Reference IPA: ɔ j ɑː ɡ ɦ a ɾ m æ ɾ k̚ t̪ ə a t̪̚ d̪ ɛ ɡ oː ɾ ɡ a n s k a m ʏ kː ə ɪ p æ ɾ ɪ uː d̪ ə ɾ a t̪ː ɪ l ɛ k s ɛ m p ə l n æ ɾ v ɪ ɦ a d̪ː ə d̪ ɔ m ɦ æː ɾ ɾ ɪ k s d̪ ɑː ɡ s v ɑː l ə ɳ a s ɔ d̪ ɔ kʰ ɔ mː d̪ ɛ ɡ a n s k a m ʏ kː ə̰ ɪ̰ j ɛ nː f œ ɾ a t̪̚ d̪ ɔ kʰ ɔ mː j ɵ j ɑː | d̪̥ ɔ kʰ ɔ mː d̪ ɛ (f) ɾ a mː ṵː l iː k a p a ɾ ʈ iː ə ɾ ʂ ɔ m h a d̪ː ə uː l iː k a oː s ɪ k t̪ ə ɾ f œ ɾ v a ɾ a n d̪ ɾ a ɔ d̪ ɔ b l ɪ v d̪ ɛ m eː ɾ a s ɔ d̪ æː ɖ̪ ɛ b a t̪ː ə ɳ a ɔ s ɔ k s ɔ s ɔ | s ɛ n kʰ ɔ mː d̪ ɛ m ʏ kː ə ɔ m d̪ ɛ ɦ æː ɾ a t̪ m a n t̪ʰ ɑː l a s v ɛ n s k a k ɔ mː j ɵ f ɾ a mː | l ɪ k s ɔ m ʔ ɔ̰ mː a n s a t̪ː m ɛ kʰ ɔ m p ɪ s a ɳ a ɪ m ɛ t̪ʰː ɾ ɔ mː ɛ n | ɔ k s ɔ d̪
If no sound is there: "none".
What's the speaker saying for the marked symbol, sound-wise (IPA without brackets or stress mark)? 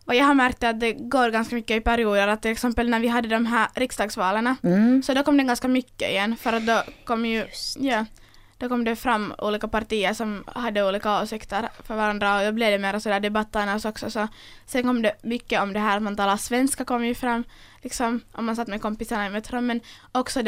f